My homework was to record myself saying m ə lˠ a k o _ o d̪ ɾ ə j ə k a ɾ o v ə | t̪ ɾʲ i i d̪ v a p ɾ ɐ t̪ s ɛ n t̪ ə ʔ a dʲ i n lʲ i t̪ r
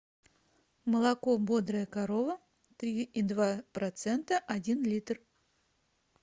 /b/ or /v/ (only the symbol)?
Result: b